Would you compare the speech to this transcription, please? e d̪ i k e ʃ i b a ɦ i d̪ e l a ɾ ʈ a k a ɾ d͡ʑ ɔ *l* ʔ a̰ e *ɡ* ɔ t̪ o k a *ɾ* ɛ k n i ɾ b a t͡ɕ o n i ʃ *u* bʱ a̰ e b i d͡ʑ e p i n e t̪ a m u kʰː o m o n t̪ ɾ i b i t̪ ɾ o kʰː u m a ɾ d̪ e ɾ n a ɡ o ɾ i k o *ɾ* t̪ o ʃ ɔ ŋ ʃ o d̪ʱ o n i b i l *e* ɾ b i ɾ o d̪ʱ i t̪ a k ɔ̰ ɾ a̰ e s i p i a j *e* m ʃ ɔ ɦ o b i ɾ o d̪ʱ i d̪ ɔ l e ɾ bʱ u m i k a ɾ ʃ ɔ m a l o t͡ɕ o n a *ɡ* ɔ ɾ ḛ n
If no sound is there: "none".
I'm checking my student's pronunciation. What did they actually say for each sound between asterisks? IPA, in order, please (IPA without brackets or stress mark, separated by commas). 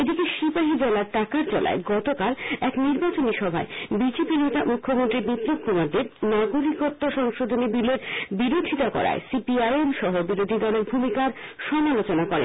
l, ɡ, l, ɔ, ɾ, e, e, k